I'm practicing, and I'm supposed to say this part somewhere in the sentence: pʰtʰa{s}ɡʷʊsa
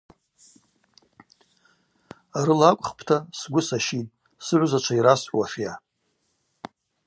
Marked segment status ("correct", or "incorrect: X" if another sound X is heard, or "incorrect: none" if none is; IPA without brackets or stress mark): correct